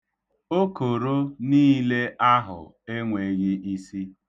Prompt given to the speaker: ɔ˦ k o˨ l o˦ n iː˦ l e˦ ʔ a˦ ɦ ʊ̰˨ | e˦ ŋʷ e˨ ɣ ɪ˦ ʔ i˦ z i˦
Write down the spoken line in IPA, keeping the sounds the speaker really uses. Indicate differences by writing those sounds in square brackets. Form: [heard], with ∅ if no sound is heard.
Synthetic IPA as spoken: [o˦] k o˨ [ɾ] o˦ n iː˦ l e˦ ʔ a˦ ɦ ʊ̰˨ | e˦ ŋʷ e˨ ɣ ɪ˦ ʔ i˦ [s] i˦